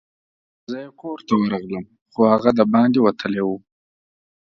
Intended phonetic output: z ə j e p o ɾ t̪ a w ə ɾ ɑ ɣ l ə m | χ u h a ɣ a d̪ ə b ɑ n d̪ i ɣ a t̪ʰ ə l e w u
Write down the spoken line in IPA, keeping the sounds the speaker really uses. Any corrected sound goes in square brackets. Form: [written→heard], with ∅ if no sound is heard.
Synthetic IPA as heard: z ə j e [p→k] o ɾ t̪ a w ə ɾ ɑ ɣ l ə m | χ [u→o] h a ɣ a d̪ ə b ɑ n d̪ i [ɣ→w] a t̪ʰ ə l e w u